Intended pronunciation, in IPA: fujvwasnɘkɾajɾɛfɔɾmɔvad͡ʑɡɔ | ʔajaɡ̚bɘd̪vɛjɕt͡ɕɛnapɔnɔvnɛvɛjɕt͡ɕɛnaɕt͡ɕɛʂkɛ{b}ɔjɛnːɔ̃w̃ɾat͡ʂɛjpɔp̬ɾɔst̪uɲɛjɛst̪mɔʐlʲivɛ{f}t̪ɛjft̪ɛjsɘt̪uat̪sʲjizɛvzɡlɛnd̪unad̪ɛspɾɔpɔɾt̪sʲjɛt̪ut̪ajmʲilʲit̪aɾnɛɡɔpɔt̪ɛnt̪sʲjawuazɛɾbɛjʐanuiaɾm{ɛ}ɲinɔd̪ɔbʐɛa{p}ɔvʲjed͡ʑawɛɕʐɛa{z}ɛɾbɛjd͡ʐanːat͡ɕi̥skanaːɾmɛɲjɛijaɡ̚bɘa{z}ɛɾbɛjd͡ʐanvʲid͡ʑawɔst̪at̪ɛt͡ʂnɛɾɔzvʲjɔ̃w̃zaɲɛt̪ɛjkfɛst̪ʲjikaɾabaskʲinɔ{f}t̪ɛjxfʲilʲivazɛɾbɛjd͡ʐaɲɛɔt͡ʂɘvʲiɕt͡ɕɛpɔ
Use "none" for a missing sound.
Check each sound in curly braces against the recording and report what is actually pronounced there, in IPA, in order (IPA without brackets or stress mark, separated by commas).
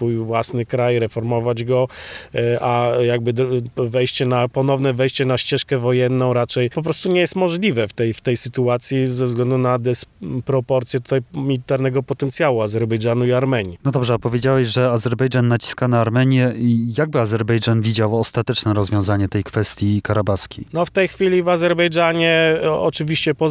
v, f, ɛ, p, z, z, f